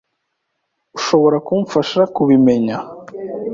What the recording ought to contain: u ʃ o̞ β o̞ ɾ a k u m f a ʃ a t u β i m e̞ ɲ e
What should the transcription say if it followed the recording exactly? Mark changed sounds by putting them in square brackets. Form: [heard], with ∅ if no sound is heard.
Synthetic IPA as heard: u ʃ o̞ β o̞ ɾ a k u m f a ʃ a [k] u β i m e̞ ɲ [a]